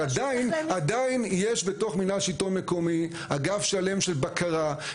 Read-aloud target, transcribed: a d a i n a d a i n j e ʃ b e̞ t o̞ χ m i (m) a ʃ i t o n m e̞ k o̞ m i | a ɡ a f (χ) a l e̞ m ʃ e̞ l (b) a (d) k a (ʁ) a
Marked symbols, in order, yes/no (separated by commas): no, no, yes, no, yes